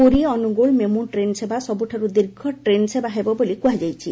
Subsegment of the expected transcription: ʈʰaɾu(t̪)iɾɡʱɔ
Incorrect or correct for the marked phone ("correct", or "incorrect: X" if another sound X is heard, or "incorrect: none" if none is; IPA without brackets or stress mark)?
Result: incorrect: d̪